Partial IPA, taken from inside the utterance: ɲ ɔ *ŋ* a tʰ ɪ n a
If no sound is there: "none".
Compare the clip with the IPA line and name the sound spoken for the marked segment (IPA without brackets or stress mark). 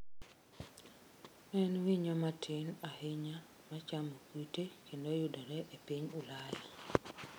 m